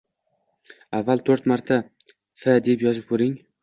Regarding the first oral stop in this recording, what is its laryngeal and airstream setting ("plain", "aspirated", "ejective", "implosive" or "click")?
aspirated